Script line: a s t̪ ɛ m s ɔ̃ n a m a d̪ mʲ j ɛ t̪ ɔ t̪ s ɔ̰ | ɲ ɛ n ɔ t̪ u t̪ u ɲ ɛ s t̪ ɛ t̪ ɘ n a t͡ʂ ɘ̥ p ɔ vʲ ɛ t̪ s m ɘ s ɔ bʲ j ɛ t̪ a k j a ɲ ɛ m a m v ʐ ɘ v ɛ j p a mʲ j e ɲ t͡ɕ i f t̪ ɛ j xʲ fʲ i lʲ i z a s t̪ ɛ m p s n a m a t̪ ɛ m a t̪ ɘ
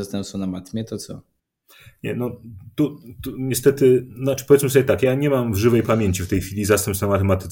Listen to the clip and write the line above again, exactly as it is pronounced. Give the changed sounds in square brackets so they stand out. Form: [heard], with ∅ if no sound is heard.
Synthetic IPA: a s t̪ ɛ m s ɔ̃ n a m a [t̪] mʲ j ɛ t̪ ɔ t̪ s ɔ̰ | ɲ ɛ n ɔ t̪ u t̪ u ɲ ɛ s t̪ ɛ t̪ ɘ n a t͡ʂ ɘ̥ p ɔ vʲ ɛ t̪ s m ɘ s ɔ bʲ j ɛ t̪ a k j a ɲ ɛ m a m v ʐ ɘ v ɛ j p a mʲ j e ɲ t͡ɕ i f t̪ ɛ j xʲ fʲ i lʲ i z a s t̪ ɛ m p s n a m a t̪ ɛ m a t̪ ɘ